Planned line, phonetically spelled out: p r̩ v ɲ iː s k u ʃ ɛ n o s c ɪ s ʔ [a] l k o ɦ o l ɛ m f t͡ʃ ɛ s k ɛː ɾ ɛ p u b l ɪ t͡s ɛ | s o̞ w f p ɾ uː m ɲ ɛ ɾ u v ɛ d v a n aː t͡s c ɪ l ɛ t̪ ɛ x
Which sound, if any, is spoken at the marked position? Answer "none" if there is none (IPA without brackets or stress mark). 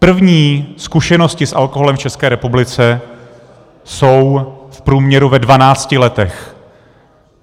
a